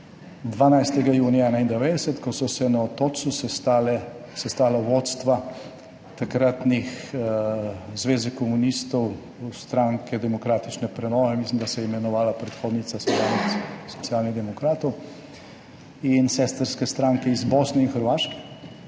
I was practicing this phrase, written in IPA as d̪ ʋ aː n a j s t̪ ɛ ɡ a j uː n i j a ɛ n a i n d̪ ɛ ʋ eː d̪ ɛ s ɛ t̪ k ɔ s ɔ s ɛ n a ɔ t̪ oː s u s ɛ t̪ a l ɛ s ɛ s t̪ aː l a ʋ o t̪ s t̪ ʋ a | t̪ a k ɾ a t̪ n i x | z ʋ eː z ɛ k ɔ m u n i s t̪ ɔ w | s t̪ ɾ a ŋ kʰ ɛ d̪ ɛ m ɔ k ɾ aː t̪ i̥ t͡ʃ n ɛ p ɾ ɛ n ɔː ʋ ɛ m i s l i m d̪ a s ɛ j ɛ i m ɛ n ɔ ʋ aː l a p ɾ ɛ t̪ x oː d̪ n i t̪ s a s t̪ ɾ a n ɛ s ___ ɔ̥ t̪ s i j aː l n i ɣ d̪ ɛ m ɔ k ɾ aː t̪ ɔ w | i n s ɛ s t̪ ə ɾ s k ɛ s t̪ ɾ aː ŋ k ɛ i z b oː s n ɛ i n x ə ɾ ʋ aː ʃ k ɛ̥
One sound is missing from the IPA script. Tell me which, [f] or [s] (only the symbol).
s